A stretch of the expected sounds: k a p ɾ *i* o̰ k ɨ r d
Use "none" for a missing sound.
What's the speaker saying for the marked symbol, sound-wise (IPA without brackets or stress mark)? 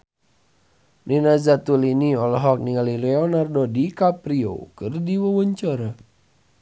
i